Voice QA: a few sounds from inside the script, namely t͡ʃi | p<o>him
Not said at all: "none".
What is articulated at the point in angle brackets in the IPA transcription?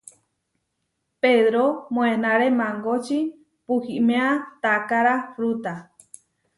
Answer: u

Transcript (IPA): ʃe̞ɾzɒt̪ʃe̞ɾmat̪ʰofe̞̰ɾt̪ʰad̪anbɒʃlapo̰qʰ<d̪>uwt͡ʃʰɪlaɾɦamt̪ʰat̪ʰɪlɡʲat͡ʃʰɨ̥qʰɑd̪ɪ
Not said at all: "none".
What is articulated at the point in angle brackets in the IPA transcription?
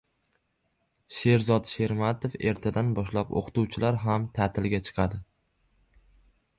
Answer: t̪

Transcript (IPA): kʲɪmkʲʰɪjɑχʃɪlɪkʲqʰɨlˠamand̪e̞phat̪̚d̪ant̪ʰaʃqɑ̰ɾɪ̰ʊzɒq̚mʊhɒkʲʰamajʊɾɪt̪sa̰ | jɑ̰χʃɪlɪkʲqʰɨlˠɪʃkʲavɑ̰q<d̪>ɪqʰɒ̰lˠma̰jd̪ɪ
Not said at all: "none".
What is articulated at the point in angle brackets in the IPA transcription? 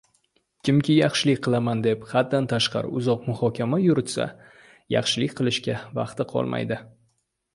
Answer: t̪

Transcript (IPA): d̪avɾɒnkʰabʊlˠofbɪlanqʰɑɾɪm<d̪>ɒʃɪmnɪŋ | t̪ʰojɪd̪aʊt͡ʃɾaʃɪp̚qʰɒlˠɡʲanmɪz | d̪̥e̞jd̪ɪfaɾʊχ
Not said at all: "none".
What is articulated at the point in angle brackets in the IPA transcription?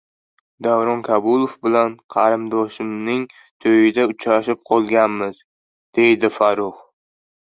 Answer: d̪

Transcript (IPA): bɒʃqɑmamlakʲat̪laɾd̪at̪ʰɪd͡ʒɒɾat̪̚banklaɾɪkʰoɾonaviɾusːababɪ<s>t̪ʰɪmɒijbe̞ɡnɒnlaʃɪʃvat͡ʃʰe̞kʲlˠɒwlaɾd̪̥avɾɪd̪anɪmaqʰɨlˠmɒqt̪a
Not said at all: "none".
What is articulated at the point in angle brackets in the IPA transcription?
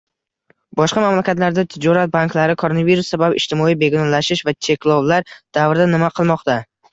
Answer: ʃ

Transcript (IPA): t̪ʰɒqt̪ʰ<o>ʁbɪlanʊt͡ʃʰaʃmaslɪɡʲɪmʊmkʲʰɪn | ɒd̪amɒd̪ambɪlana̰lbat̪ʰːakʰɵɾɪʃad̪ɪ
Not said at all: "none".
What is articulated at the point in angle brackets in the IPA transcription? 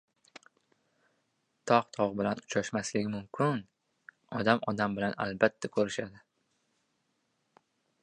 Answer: ɒ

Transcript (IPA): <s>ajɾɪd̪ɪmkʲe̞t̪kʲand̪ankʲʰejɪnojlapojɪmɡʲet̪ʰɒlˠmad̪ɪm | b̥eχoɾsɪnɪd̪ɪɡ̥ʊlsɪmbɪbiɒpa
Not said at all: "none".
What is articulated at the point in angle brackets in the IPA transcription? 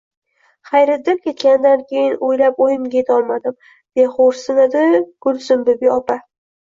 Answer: χ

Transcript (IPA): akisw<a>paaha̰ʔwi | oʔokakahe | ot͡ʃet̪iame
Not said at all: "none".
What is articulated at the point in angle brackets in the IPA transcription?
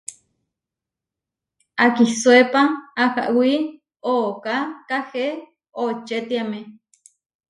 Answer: e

